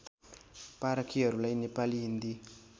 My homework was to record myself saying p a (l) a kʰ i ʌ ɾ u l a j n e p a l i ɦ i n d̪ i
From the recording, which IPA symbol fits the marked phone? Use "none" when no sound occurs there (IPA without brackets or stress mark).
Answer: ɾ